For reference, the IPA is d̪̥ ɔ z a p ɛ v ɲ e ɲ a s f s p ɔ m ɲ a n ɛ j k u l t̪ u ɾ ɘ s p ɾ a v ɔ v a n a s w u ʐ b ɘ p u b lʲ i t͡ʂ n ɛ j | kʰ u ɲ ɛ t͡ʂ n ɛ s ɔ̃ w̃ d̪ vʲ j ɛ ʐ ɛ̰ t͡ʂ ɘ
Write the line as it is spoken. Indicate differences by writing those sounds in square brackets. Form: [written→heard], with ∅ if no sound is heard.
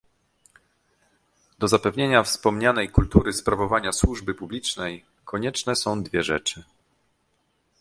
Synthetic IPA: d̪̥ ɔ z a p ɛ v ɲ e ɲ a [s→∅] f s p ɔ m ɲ a n ɛ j k u l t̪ u ɾ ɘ s p ɾ a v ɔ v a [n→ɲ] a s w u ʐ b ɘ p u b lʲ i t͡ʂ n ɛ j | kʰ [u→ɔ] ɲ ɛ t͡ʂ n ɛ s ɔ̃ w̃ d̪ vʲ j ɛ ʐ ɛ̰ t͡ʂ ɘ